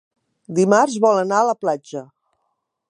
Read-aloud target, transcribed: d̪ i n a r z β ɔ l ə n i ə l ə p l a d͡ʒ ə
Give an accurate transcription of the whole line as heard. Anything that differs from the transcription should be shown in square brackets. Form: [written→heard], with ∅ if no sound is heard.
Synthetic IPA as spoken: d̪ i [n→m] a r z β ɔ l ə n [i→a] ə l ə p l a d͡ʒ ə